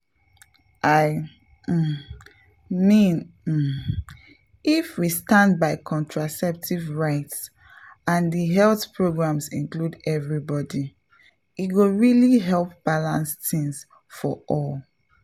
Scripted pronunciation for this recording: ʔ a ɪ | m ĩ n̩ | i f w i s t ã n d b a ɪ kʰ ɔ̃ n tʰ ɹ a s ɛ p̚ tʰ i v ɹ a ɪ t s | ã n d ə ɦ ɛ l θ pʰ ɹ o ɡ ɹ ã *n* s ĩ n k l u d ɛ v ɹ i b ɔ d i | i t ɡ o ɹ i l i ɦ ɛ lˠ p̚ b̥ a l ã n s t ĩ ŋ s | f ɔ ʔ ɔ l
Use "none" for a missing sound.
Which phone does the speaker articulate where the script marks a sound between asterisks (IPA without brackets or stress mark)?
m